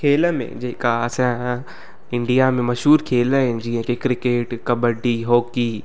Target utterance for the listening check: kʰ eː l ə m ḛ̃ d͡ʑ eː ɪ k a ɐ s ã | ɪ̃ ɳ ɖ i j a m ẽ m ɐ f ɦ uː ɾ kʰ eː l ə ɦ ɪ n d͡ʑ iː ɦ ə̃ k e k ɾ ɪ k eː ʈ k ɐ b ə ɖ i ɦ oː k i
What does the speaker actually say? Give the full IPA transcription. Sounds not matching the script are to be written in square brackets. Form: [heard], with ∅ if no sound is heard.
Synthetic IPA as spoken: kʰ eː l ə m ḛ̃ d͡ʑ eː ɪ k a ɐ s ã | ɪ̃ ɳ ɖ i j a m ẽ m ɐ [ʃ] ɦ uː ɾ kʰ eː l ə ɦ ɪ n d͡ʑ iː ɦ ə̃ k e k ɾ ɪ k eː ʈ k ɐ b ə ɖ i ɦ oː k i